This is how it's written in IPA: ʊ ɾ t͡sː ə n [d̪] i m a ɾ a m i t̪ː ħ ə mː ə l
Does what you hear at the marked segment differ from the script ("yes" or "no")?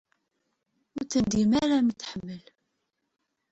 no